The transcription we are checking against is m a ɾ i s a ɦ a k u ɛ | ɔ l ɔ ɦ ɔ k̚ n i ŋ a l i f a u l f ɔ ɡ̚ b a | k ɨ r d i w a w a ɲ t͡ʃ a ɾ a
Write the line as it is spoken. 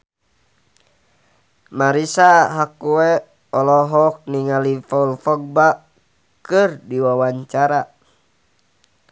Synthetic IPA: m a ɾ i s a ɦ a k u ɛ | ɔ l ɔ ɦ ɔ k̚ n i ŋ a l i f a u l f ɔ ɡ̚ b a | k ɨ r d i w a w a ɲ t͡ʃ a ɾ a

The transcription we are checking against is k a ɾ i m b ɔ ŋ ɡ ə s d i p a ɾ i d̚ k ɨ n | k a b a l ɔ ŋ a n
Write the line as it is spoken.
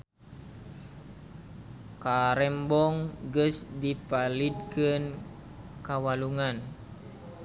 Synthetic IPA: k a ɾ ɛ m b ɔ ŋ ɡ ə s d i p a l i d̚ k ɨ n | k a w a l u ŋ a n

